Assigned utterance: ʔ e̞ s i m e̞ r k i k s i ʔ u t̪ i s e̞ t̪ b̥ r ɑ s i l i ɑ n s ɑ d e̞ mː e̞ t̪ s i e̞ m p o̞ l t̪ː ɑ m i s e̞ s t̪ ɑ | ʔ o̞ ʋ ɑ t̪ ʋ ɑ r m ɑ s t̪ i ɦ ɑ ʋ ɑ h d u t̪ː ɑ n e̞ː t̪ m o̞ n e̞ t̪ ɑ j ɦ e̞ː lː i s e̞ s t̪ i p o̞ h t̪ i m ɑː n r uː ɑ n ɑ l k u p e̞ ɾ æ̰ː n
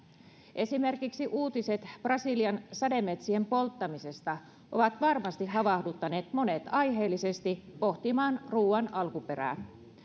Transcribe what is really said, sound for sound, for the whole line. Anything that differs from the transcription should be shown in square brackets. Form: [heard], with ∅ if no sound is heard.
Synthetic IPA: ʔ e̞ s i m e̞ r k i k s i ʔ [uː] t̪ i s e̞ t̪ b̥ r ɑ s i l i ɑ n s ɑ d e̞ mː e̞ t̪ s i e̞ m p o̞ l t̪ː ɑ m i s e̞ s t̪ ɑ | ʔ o̞ ʋ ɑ t̪ ʋ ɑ r m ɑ s t̪ i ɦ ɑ ʋ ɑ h d u t̪ː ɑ n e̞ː t̪ m o̞ n e̞ t̪ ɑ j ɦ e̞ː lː i s e̞ s t̪ i p o̞ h t̪ i m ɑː n r uː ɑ n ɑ l k u p e̞ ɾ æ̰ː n